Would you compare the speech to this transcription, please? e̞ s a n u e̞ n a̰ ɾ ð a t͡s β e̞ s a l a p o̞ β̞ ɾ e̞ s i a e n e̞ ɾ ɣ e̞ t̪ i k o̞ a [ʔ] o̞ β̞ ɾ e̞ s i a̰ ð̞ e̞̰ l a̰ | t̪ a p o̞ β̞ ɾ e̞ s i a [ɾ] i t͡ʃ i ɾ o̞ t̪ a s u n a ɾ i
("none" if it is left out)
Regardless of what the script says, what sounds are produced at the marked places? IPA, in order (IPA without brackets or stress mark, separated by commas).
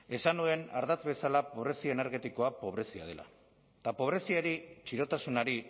p, ɾ